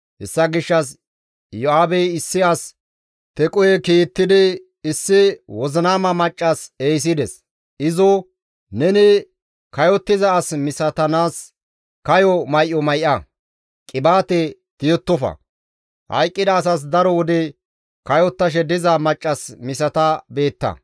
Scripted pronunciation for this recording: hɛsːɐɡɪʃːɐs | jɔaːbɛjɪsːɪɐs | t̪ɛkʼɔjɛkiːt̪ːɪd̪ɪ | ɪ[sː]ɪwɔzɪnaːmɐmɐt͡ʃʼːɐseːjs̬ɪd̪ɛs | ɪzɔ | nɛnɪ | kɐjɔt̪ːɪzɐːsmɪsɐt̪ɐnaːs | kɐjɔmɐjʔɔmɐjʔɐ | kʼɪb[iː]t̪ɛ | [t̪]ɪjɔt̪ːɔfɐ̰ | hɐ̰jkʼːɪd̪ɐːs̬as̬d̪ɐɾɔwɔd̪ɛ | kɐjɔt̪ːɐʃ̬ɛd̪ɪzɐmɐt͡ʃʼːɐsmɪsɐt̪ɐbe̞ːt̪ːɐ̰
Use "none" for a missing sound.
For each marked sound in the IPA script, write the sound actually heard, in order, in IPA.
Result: sː, aː, t̪

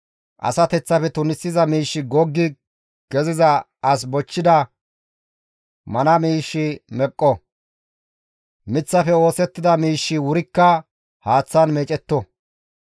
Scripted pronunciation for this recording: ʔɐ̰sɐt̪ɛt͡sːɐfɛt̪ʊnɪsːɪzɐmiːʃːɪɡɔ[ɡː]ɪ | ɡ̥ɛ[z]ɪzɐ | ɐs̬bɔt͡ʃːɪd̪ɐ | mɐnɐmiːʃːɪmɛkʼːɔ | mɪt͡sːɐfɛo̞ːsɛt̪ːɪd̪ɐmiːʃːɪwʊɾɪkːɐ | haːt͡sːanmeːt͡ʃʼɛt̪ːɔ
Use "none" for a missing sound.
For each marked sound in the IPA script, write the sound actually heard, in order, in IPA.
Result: ɡː, z

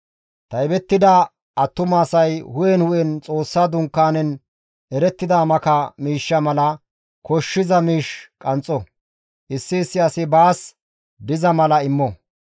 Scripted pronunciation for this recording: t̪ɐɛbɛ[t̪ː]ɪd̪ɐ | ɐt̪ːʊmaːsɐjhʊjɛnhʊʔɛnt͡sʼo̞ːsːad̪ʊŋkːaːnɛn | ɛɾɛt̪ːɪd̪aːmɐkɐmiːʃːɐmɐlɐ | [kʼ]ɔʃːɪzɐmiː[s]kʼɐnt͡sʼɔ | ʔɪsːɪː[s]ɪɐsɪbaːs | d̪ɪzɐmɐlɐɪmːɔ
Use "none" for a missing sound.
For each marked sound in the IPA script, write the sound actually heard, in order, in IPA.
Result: t̪ː, k, ʃ, sː

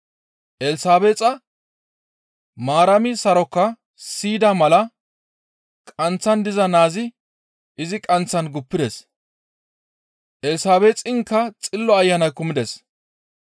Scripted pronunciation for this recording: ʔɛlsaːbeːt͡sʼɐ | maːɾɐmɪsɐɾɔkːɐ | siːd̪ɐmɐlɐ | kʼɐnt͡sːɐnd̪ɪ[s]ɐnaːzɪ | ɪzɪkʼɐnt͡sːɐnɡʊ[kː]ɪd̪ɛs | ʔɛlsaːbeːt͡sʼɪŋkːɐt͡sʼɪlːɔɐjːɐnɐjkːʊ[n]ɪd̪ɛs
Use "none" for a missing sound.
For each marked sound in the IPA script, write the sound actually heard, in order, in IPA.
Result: z, pː, m

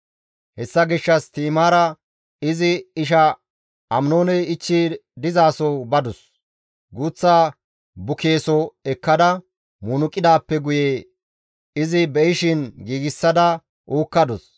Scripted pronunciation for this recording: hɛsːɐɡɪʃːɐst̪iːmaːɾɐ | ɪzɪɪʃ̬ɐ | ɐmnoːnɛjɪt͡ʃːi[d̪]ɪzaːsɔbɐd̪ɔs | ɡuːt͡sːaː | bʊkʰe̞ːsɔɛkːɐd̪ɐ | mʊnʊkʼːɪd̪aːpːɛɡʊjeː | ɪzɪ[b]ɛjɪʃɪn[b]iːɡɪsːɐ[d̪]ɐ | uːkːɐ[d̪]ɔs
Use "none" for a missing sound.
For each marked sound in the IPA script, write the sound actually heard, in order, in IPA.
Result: d̪, b, ɡ, d̪, d̪

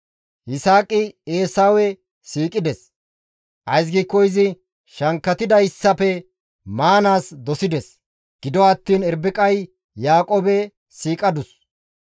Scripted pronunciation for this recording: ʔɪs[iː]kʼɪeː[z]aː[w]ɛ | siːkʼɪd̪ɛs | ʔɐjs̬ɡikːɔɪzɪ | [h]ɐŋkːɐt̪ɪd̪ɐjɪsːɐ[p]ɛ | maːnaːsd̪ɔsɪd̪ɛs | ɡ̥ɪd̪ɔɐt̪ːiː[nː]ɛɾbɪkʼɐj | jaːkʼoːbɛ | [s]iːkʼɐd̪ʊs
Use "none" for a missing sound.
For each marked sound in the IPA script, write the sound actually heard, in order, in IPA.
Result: aː, s, w, ʃ, p, n, s

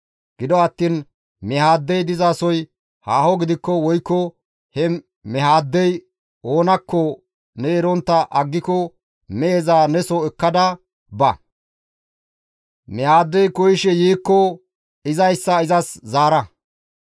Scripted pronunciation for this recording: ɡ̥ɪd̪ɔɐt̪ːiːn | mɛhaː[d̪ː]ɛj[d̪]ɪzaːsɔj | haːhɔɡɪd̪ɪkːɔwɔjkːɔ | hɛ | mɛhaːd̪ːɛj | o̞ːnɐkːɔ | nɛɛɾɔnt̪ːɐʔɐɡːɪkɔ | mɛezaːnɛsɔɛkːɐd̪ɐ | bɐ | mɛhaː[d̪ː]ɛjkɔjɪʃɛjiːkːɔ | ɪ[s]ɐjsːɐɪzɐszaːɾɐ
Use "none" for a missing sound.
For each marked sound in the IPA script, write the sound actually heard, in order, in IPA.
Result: d̪ː, d̪, d̪ː, z

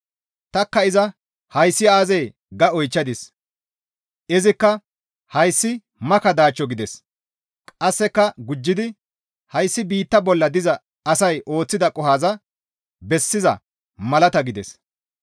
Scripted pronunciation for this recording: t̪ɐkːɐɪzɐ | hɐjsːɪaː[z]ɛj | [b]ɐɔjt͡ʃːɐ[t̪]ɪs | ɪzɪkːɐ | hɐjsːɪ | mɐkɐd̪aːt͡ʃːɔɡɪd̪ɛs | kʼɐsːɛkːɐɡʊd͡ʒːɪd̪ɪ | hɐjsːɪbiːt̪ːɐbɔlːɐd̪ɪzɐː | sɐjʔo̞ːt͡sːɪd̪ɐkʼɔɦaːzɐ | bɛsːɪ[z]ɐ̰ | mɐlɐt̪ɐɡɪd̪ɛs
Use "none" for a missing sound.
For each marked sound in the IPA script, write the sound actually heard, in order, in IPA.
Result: z, ɡ, d̪, z

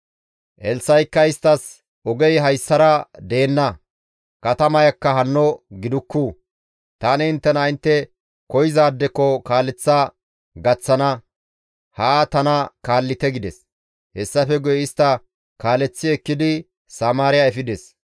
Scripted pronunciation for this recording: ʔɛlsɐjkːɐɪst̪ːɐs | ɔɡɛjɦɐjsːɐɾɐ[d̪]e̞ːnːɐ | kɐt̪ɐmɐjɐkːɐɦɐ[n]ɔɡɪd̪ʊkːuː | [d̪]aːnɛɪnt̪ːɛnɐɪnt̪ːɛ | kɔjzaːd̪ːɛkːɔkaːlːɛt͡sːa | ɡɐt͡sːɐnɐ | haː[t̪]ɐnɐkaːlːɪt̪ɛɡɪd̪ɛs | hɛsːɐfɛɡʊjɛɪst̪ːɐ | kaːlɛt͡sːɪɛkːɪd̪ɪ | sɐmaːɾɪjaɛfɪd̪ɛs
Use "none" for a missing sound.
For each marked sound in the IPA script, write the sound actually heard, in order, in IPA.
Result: d̪, nː, t̪, t̪

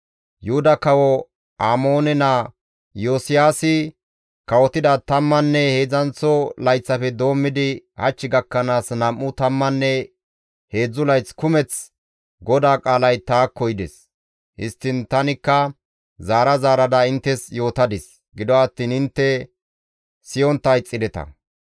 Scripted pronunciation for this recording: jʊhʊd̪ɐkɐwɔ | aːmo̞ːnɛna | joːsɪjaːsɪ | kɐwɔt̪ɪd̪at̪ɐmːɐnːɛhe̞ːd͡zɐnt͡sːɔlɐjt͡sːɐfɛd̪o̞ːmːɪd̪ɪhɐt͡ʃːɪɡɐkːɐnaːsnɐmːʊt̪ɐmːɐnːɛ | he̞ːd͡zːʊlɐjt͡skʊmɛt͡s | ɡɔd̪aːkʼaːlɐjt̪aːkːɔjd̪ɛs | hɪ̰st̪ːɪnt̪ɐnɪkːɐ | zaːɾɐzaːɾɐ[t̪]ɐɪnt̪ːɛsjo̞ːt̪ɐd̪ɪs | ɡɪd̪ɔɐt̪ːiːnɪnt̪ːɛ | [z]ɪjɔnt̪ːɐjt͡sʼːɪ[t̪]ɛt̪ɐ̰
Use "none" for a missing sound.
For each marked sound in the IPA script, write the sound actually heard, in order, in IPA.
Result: d̪, s, d̪

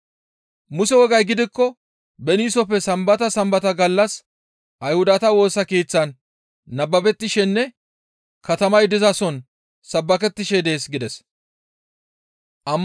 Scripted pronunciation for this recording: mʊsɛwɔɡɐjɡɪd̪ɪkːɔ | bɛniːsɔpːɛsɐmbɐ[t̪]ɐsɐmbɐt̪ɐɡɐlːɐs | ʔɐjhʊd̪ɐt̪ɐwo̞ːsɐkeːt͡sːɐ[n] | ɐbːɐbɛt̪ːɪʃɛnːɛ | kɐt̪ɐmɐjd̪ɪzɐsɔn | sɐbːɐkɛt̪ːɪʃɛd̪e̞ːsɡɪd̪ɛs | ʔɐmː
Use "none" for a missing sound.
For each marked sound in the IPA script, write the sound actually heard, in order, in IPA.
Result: t̪, nː

